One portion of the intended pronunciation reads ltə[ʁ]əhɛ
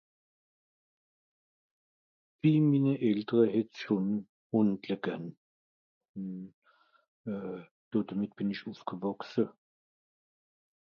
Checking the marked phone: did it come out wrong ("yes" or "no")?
no